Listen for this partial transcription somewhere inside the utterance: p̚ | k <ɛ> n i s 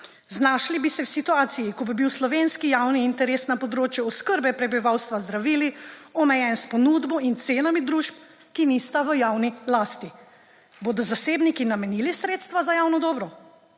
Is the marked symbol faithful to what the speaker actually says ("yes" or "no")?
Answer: no